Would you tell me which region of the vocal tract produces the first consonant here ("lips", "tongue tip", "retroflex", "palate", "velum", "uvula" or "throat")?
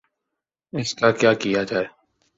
tongue tip